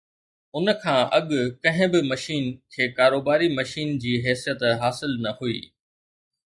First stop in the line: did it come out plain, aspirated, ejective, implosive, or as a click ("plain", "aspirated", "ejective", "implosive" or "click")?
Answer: aspirated